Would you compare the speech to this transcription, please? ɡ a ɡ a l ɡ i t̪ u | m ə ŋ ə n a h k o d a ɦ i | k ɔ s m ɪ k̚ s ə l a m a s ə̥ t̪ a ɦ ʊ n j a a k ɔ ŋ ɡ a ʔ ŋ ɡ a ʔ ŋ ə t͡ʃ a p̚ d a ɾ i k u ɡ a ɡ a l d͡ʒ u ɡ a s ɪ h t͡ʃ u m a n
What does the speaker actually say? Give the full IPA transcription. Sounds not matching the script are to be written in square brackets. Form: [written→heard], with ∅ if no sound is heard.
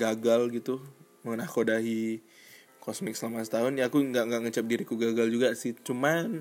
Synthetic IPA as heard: ɡ a ɡ a l ɡ i t̪ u | m ə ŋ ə n a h k o d a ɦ i | k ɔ s m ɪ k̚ s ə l a m a s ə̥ t̪ a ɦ ʊ n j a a k [ɔ→u] ŋ ɡ a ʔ ŋ ɡ a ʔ ŋ ə t͡ʃ a p̚ d [a→i] ɾ i k u ɡ a ɡ a l d͡ʒ u ɡ a s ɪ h t͡ʃ u m a n